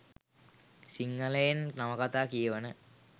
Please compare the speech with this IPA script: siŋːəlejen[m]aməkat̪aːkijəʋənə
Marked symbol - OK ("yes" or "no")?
no